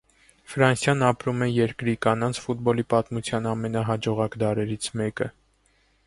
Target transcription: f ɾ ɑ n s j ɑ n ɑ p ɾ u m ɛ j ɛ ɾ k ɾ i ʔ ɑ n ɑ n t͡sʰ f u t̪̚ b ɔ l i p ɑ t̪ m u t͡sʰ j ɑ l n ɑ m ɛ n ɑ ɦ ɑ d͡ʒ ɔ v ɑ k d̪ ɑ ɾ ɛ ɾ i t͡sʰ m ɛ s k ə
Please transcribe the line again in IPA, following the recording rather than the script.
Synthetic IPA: f ɾ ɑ n s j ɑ n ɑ p ɾ u m ɛ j ɛ ɾ k ɾ i k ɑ n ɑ n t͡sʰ f u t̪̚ b ɔ l i p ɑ t̪ m u t͡sʰ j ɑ n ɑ m ɛ n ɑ ɦ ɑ d͡ʒ ɔ ʁ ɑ k d̪ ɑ ɾ ɛ ɾ i t͡sʰ m ɛ k ə